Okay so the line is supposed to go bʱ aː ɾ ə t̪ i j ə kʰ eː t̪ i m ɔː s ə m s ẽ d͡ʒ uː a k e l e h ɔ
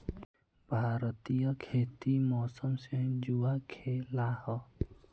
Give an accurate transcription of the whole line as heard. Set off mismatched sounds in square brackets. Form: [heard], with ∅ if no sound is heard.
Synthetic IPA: bʱ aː ɾ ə t̪ i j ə kʰ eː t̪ i m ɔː s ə m s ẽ d͡ʒ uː a [kʰ] e l [a] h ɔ